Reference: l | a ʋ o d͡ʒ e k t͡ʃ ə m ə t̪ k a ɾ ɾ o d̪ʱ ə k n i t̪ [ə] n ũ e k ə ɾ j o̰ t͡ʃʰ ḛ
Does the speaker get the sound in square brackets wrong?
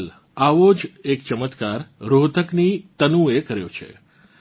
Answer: no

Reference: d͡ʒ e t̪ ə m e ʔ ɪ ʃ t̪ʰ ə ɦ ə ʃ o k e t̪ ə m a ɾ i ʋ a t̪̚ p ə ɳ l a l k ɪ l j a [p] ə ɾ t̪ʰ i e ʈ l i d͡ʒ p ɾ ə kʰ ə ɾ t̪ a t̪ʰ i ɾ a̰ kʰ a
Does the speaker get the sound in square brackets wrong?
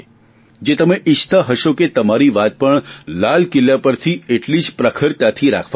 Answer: no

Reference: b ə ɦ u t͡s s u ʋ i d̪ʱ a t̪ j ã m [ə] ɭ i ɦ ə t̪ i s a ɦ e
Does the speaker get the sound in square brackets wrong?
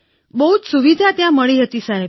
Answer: no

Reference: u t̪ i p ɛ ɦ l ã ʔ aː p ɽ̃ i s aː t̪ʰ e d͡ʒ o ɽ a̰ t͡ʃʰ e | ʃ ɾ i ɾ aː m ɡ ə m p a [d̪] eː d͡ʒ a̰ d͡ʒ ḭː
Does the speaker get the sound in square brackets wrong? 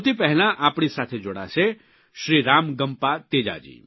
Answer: yes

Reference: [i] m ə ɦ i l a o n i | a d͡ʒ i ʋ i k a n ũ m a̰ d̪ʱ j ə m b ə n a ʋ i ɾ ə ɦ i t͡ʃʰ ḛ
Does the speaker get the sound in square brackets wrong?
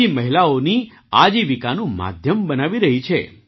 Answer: no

